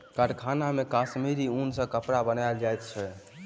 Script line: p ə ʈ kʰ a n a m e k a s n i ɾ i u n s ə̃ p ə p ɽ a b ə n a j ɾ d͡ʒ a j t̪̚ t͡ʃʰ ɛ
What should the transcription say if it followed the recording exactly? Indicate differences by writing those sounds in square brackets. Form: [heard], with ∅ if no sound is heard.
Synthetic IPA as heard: [k] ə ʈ kʰ a n a m e k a s [m] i ɾ i u n s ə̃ [k] ə p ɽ a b ə n a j [l] d͡ʒ a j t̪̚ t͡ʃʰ ɛ